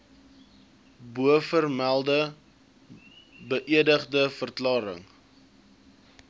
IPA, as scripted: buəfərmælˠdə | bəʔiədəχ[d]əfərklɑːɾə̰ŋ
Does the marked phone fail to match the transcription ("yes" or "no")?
no